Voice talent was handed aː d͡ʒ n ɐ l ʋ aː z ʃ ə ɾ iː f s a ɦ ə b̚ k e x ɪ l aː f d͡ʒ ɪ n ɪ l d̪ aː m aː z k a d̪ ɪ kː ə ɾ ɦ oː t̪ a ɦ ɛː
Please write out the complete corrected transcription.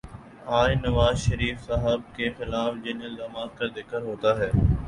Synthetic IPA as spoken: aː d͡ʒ n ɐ ʋ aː z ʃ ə ɾ iː f s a ɦ ə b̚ k e x ɪ l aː f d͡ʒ ɪ n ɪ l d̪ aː m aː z k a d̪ ɪ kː ə ɾ ɦ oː t̪ a ɦ ɛː